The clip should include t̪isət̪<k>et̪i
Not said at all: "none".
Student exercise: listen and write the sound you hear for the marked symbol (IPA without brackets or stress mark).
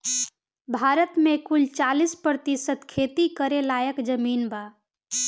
kʰ